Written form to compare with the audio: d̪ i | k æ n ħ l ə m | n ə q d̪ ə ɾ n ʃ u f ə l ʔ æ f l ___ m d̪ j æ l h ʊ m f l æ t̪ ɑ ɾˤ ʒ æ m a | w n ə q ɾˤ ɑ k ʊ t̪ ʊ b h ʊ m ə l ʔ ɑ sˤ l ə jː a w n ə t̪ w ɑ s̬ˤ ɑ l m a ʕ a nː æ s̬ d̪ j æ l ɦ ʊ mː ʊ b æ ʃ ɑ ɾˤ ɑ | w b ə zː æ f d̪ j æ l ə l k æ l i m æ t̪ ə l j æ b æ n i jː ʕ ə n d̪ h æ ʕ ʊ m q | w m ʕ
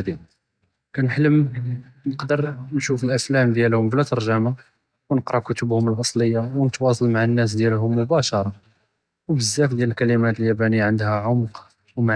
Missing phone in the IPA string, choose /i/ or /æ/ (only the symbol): æ